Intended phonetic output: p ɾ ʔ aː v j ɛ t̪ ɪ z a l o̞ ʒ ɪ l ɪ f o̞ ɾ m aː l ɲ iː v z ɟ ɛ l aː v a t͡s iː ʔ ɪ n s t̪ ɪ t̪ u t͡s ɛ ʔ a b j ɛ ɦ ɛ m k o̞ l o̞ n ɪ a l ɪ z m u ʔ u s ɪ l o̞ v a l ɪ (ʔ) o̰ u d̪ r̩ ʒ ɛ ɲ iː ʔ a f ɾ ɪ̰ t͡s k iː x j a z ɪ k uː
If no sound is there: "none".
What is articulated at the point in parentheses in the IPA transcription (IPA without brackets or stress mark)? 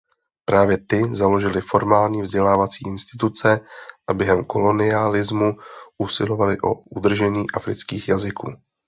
ʔ